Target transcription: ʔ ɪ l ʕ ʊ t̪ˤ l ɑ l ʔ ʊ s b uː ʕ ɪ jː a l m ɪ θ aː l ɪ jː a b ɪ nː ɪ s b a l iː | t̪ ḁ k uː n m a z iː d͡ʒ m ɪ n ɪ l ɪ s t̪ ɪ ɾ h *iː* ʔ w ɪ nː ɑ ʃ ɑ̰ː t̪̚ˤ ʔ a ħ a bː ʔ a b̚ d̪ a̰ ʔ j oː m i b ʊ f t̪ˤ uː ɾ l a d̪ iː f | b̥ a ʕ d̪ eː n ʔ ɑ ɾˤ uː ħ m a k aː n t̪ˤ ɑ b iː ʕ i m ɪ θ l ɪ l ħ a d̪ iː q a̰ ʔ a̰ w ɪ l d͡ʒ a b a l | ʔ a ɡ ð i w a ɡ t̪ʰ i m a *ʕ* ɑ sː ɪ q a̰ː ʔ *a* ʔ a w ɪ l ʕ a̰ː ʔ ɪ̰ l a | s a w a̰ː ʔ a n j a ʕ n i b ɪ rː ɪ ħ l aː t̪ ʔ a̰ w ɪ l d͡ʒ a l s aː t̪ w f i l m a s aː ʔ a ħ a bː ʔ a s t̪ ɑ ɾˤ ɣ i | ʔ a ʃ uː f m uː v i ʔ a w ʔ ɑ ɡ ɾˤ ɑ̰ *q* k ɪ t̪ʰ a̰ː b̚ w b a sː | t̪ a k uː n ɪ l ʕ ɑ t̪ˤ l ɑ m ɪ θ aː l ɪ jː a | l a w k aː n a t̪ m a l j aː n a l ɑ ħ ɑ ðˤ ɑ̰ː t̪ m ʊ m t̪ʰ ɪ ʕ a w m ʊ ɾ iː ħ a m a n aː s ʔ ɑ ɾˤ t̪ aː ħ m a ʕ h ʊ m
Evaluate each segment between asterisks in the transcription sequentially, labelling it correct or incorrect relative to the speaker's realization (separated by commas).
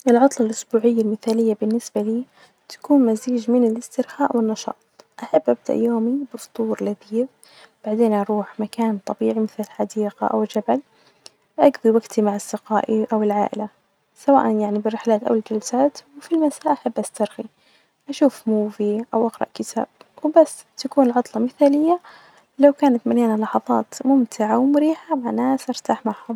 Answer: incorrect, correct, incorrect, incorrect